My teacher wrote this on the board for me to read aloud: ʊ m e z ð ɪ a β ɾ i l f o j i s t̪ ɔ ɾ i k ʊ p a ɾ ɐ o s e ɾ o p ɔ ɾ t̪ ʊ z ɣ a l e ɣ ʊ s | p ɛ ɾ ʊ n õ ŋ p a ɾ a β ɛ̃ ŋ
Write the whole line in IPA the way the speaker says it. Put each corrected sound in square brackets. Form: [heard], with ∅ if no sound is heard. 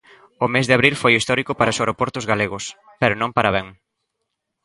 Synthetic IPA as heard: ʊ m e z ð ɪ a β ɾ i l f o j i s t̪ ɔ ɾ i k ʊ p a ɾ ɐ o s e ɾ o p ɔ ɾ t̪ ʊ z ɣ a l e ɣ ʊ s | p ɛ ɾ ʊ n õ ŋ p a ɾ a β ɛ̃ ŋ